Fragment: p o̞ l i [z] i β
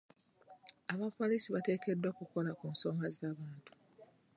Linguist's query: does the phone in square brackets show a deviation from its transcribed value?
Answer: yes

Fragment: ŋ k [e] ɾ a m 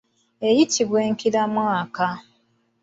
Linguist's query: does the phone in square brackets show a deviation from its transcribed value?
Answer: yes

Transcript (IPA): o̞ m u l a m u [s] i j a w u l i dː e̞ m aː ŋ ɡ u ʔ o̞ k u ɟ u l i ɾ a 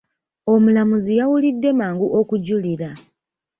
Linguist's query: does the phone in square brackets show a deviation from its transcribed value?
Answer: yes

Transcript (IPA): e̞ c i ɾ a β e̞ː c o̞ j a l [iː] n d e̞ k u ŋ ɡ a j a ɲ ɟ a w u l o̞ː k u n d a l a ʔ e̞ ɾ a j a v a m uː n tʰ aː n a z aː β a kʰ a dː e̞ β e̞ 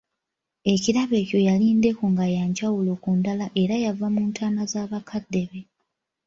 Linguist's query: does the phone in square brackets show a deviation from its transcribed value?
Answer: no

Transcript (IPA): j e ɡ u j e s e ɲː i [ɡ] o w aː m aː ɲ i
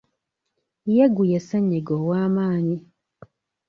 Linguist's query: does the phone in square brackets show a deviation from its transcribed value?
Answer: no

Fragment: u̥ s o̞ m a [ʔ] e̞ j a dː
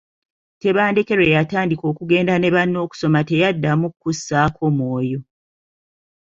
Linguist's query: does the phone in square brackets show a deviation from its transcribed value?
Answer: yes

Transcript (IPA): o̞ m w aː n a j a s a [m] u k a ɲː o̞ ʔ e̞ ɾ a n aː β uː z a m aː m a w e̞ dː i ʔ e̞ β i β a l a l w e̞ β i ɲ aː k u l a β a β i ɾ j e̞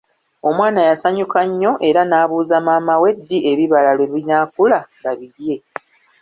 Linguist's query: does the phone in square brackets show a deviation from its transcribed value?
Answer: yes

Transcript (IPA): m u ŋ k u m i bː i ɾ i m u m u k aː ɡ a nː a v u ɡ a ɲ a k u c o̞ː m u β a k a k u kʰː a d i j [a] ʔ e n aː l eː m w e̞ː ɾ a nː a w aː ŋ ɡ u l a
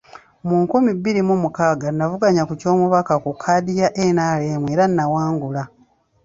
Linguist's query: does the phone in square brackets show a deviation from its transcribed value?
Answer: no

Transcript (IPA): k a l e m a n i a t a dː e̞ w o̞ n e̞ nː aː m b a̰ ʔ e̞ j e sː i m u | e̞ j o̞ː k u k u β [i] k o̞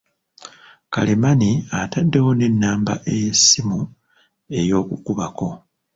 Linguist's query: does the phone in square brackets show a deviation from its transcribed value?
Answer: yes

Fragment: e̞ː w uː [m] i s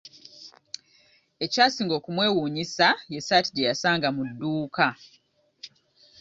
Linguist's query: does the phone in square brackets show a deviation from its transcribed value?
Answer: yes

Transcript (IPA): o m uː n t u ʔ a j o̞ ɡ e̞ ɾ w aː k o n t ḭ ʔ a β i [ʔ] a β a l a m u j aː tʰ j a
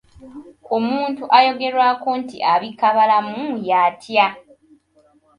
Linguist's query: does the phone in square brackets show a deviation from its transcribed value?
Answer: yes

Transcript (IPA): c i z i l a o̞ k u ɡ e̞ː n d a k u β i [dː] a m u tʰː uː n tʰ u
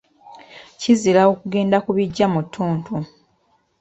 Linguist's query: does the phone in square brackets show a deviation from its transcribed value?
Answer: yes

